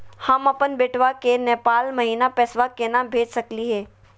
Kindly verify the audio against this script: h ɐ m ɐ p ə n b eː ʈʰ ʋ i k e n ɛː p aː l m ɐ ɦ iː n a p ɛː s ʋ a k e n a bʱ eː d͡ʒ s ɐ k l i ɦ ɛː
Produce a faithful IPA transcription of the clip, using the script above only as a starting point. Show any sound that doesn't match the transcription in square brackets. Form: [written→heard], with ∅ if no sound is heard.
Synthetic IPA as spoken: h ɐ m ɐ p ə n b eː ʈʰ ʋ [i→a] k e n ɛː p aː l m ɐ ɦ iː n a p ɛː s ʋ a k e n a bʱ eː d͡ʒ s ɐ k l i ɦ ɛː